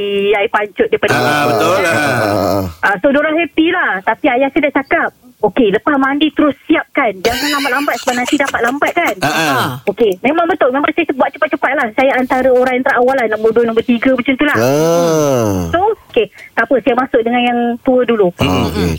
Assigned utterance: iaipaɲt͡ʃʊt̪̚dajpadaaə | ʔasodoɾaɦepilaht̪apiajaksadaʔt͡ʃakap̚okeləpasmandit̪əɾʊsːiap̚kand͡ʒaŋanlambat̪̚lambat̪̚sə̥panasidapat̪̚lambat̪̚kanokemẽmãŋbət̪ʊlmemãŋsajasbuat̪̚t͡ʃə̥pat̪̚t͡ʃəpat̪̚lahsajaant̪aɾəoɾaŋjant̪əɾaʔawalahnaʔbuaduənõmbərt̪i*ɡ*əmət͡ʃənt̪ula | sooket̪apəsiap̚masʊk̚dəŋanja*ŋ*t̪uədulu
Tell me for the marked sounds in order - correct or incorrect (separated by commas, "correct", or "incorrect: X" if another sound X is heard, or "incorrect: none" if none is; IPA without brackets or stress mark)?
correct, correct